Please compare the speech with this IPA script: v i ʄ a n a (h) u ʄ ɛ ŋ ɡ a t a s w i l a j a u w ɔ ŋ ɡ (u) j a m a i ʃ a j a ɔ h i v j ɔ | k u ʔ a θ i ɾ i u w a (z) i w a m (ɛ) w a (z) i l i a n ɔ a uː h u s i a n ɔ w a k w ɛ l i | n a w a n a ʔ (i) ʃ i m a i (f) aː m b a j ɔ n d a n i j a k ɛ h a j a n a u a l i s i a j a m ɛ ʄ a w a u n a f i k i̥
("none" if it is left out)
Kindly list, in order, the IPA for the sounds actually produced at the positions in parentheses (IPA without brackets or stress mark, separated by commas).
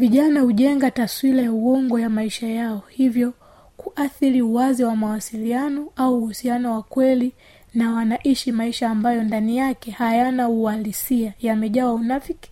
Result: h, ɔ, z, a, s, i, ʃ